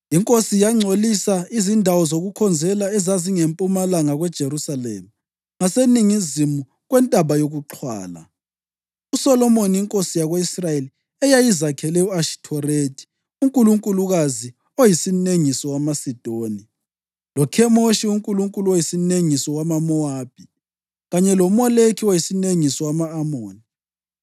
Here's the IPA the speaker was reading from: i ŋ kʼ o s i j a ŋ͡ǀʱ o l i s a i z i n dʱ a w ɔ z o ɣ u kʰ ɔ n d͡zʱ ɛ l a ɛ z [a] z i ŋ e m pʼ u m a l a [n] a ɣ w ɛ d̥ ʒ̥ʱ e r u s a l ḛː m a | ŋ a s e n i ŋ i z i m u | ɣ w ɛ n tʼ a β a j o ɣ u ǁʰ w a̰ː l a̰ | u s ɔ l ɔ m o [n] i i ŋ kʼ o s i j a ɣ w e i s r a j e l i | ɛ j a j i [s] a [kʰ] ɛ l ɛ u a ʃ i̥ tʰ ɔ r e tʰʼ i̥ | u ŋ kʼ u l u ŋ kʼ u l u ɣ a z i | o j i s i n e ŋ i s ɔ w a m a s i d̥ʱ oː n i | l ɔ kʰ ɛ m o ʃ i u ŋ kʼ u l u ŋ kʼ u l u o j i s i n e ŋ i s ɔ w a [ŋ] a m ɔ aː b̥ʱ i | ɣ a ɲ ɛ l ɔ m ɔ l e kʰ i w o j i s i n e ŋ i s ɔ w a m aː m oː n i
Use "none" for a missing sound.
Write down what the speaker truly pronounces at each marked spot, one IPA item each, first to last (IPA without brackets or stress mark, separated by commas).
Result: a, ŋ, n, z, kʰ, m